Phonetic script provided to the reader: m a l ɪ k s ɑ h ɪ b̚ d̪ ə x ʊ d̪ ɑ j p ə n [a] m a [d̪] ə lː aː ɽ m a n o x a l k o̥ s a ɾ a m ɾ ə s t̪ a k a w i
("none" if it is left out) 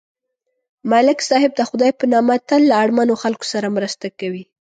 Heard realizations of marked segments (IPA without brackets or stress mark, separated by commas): ɑ, t̪